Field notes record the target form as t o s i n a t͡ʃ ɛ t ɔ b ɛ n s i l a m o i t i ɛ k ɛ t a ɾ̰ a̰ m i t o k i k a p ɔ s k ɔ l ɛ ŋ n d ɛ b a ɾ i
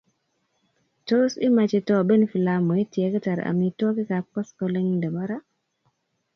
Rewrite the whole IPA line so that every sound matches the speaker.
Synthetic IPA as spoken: t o s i m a t͡ʃ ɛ t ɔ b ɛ n f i l a m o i t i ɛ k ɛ t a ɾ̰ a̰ m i t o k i k a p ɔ s k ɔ l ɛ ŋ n d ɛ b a ɾ a